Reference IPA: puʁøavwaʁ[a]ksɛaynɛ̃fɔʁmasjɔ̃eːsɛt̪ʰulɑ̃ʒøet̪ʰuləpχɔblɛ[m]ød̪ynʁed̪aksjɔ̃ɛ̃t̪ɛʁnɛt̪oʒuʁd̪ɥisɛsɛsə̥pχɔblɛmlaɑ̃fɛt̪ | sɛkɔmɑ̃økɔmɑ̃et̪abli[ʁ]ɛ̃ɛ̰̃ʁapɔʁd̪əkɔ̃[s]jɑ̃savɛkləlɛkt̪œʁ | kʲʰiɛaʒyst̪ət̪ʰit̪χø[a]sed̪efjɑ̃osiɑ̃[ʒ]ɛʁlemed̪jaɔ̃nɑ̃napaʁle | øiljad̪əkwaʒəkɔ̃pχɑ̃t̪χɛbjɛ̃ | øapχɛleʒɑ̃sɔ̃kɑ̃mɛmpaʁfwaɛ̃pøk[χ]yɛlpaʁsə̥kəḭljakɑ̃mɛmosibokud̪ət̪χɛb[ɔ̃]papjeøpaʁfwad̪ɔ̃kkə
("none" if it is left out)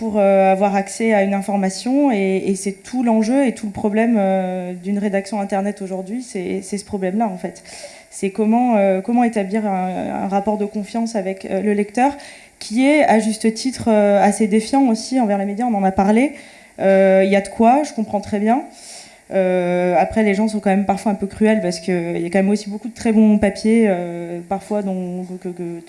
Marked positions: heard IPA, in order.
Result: a, m, ʁ, f, a, v, χ, ɔ̃

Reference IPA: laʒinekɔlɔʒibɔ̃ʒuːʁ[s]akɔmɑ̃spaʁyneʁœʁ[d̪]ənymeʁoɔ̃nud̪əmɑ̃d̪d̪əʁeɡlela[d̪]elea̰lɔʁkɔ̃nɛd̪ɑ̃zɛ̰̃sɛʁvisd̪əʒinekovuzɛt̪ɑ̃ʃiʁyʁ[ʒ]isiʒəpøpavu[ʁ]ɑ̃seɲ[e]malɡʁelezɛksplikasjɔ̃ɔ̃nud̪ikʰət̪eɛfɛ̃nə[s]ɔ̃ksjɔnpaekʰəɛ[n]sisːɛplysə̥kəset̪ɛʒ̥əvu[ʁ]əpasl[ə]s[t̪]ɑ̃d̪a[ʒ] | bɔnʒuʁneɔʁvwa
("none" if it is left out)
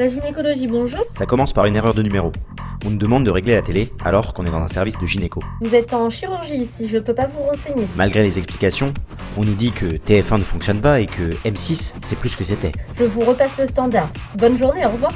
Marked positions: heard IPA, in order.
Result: s, d̪, t̪, ʒ, ʁ, e, f, m, ʁ, ə, t̪, ʁ

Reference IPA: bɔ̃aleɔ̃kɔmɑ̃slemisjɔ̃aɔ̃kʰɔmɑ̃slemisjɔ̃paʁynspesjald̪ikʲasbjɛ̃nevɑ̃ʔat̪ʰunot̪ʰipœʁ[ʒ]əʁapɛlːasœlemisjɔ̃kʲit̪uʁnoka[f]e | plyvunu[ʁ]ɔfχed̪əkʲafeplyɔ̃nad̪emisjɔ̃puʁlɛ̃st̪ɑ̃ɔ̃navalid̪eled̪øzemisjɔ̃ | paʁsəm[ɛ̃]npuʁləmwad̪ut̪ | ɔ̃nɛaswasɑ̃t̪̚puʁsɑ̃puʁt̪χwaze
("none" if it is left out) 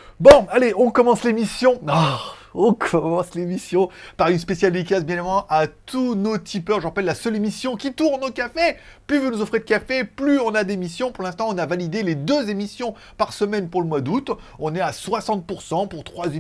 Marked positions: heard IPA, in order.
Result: ʒ, f, z, ɛ

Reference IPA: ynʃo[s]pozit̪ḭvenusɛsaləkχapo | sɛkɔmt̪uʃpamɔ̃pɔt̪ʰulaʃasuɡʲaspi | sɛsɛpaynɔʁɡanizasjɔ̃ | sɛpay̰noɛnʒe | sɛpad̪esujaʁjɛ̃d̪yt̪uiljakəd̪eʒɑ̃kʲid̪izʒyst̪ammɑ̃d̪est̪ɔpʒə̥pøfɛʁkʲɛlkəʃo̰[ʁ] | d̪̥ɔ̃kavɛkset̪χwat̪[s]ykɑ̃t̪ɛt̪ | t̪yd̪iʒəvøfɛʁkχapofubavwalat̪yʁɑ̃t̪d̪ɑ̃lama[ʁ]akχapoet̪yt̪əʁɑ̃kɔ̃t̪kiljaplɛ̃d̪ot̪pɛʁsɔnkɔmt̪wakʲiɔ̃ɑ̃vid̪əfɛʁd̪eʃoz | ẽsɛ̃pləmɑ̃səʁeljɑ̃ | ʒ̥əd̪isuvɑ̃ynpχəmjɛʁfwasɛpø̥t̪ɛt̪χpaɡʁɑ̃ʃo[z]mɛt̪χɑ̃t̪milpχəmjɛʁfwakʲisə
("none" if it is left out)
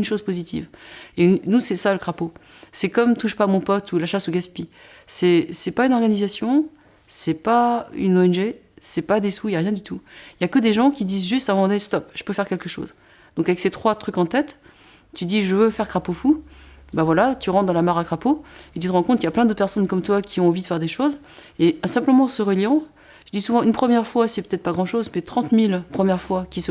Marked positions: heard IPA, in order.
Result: z, z, χ, ʁ, z

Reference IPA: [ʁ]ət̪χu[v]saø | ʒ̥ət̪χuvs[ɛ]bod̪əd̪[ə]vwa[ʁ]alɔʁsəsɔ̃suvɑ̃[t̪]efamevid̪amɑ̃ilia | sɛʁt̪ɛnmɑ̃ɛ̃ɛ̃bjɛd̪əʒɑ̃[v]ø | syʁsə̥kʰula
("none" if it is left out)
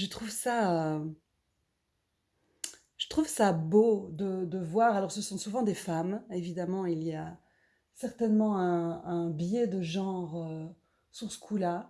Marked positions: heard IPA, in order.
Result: ʒ, v, a, ə, ʁ, d̪, ʁ

